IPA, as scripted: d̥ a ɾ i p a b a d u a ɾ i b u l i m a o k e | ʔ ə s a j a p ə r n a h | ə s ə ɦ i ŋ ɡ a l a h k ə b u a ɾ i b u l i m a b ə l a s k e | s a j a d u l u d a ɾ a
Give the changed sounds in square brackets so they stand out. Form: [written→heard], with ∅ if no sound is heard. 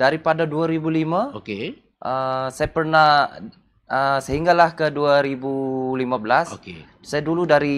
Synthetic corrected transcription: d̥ a ɾ i p a [b→d] a d u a ɾ i b u l i m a o k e | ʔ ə s a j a p ə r n a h | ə s ə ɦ i ŋ ɡ a l a h k ə [b→d] u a ɾ i b u l i m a b ə l a s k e | s a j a d u l u d a ɾ [a→i]